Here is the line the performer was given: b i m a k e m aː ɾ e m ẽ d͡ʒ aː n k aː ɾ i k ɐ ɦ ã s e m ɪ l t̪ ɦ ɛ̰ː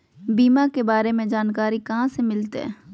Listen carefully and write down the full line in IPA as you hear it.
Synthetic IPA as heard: b iː m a k e b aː ɾ e m ẽ d͡ʒ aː n k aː ɾ i k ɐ ɦ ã s e m ɪ l t̪ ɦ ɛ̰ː